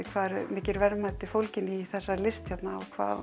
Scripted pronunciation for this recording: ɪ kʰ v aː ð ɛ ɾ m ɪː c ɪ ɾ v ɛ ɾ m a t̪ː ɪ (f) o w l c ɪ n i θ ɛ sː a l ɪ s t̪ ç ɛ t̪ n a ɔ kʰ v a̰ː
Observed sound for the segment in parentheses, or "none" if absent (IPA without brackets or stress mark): f